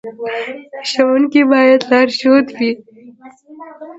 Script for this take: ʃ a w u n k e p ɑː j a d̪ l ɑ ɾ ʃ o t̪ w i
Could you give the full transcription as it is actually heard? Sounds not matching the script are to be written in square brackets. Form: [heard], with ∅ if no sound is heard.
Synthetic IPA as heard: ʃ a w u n k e [b] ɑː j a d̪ l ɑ ɾ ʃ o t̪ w i